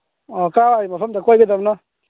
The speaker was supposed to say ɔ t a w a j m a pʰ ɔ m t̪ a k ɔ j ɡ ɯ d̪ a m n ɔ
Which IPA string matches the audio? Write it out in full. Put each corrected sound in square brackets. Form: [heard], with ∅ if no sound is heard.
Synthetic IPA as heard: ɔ [k] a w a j m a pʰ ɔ m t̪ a k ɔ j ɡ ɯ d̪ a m n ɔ